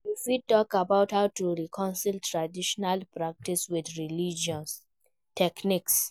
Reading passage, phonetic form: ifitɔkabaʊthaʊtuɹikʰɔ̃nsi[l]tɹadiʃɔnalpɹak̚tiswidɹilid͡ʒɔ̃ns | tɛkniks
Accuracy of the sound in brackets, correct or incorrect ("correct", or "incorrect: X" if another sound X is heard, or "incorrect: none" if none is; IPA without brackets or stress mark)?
correct